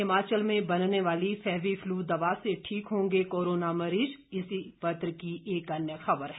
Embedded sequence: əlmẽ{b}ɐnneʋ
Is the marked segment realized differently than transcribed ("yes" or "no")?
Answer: no